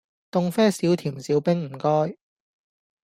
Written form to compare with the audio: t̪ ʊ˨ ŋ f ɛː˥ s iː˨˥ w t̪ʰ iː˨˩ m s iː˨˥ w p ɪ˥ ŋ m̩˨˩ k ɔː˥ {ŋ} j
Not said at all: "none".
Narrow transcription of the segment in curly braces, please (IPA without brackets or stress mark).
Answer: none